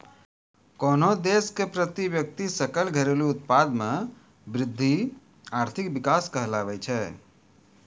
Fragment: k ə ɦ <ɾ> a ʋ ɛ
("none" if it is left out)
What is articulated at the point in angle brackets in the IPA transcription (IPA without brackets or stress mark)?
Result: l